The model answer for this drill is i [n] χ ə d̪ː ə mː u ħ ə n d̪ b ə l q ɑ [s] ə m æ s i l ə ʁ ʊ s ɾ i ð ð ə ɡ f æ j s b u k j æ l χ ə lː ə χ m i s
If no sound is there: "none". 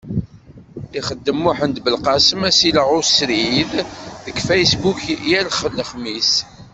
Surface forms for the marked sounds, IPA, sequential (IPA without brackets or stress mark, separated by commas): none, s